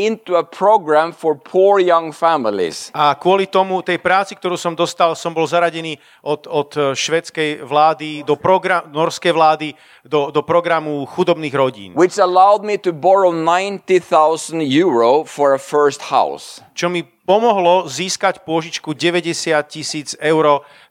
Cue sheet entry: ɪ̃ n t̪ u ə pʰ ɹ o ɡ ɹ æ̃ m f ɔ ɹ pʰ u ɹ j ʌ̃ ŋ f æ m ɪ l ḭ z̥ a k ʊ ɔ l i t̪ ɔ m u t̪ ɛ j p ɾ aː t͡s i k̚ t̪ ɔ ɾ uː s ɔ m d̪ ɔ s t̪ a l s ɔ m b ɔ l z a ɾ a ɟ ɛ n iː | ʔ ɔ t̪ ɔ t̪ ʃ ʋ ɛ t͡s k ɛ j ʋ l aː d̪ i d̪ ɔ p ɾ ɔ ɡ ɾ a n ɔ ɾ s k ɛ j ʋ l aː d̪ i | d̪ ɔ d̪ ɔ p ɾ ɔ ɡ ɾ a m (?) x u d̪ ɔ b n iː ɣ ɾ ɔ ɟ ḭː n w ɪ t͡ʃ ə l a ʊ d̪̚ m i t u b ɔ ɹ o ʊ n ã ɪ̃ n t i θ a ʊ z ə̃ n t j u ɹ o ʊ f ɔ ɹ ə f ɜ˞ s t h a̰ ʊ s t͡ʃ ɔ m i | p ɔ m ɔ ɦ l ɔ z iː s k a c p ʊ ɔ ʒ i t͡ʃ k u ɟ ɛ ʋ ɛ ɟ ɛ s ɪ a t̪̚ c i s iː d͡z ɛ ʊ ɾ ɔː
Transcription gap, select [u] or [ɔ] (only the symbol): u